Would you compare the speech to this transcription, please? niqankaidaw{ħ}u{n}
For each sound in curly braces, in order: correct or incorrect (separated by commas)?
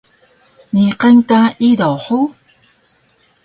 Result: correct, incorrect